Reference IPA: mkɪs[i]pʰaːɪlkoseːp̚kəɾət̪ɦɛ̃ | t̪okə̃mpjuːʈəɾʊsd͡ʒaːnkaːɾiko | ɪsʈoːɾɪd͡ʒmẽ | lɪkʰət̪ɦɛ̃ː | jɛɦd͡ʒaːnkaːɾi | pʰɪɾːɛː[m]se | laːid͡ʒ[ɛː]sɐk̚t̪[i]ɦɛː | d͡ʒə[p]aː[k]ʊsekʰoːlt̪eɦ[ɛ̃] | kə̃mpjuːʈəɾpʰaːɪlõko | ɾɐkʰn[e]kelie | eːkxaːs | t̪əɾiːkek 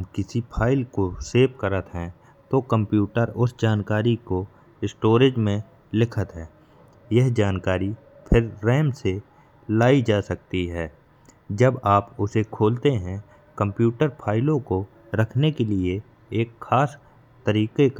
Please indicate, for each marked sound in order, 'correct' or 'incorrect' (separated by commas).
correct, correct, incorrect, correct, incorrect, incorrect, correct, correct